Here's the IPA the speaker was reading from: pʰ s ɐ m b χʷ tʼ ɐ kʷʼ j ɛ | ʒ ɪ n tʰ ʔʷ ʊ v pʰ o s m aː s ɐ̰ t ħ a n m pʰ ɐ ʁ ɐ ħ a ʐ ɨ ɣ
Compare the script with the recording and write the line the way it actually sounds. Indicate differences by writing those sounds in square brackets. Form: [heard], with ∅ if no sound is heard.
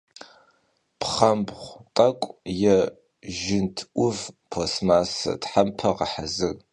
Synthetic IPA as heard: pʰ [χ] ɐ m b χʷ tʼ ɐ kʷʼ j ɛ | ʒ ɪ n tʰ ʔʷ ʊ v pʰ o s m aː s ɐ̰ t ħ a [∅] m pʰ ɐ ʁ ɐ ħ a [z] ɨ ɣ